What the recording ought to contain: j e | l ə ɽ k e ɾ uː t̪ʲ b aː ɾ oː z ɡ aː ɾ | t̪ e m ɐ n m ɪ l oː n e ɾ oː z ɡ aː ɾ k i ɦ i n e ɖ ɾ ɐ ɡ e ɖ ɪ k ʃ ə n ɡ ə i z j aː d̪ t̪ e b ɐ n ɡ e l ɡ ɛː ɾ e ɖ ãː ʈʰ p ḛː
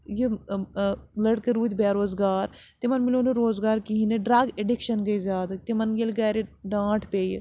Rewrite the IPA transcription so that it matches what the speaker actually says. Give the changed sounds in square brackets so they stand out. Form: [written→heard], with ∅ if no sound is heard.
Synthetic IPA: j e | l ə ɽ k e ɾ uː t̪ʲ b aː ɾ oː z ɡ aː ɾ | t̪ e m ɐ n m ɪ l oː n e ɾ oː z ɡ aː ɾ k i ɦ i n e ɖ ɾ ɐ ɡ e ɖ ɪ k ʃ ə n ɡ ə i z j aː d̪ t̪ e [b→m] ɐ n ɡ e l ɡ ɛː ɾ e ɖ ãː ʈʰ p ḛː